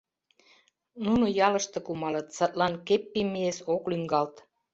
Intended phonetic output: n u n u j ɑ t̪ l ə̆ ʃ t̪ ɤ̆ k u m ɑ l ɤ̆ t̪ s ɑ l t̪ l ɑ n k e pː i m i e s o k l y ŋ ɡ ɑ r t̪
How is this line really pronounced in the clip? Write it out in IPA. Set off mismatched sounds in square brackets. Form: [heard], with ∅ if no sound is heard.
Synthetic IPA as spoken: n u n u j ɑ [∅] l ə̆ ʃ t̪ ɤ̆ k u m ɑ l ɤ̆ t̪ s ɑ [∅] t̪ l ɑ n k e pː i m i e s o k l y ŋ ɡ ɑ [l] t̪